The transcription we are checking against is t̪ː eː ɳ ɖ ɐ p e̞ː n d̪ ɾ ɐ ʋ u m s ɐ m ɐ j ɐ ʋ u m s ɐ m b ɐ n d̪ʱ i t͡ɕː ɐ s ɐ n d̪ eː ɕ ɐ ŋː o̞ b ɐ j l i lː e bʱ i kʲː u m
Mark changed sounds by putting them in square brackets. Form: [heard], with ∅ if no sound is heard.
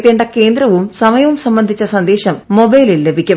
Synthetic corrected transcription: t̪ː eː ɳ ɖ ɐ [k] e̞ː n d̪ ɾ ɐ ʋ u m s ɐ m ɐ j ɐ ʋ u m s ɐ m b ɐ n d̪ʱ i t͡ɕː ɐ s ɐ n d̪ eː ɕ ɐ [mː] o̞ b ɐ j l i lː e bʱ i kʲː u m